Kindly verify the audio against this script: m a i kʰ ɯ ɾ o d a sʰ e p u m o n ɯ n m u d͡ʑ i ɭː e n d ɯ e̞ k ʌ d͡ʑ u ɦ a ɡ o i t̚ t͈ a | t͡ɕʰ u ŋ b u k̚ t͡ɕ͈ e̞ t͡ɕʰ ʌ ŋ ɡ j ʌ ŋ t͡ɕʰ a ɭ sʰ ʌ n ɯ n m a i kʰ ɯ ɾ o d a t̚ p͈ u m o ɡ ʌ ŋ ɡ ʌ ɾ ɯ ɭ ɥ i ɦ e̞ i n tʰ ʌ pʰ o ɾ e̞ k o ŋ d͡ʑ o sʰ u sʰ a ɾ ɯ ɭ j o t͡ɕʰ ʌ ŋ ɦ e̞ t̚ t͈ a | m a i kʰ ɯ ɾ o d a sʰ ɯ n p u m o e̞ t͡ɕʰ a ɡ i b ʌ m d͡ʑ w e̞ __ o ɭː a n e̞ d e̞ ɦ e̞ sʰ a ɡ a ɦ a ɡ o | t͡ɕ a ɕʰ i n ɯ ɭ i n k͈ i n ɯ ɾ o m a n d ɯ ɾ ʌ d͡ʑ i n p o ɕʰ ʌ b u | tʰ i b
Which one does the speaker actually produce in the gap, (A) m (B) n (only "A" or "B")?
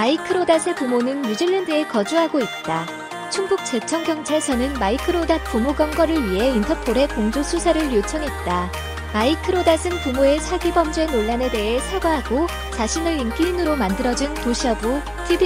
B